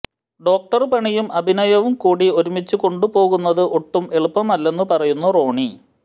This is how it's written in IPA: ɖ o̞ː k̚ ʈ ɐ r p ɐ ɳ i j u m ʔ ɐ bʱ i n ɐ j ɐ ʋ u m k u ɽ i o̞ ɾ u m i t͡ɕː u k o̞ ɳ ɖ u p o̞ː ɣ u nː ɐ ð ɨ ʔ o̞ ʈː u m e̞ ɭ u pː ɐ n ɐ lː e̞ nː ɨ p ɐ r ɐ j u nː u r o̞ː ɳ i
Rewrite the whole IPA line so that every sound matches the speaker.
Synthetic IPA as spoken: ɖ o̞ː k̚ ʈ ɐ r p ɐ ɳ i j u m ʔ ɐ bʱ i n ɐ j ɐ ʋ u m k uː ɽ i o̞ ɾ u m i t͡ɕː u k o̞ ɳ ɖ u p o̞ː ɣ u nː ɐ ð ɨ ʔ o̞ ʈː u m e̞ ɭ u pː ɐ m ɐ lː e̞ nː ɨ p ɐ r ɐ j u nː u r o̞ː ɳ i